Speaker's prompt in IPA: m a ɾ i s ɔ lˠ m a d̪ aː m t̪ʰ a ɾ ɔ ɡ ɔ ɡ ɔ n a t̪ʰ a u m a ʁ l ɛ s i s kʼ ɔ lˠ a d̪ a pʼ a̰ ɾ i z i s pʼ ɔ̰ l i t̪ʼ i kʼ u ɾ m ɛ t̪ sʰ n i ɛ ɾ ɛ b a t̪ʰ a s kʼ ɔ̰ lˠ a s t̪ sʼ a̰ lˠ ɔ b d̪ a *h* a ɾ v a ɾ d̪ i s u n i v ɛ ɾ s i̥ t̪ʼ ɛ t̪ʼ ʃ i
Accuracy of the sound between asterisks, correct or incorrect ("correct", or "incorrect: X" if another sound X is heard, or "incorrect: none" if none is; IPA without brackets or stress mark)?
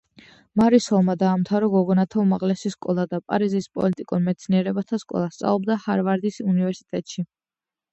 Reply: correct